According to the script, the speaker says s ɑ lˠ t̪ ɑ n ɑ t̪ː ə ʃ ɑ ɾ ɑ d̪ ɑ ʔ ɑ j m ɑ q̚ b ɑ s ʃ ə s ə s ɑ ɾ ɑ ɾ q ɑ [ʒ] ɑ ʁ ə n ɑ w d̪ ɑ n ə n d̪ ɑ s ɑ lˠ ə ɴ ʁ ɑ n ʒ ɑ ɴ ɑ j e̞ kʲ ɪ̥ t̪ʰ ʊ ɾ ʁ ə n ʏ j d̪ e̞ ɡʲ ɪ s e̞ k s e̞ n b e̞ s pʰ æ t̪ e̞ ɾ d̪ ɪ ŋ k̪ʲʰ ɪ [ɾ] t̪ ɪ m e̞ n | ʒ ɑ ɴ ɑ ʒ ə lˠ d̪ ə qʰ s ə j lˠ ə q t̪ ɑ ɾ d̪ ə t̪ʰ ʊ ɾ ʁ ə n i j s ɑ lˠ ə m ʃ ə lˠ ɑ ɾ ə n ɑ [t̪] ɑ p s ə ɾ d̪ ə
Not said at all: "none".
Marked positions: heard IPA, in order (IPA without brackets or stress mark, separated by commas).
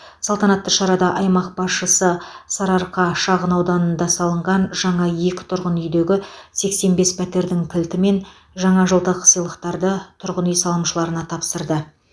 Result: ʃ, l, t̪ʰ